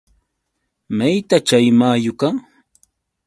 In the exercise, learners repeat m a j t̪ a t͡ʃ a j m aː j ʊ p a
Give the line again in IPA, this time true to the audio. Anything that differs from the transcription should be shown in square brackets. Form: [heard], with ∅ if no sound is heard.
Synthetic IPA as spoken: m a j t̪ a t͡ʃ a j m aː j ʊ [k] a